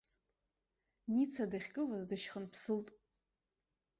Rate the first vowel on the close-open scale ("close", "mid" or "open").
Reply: close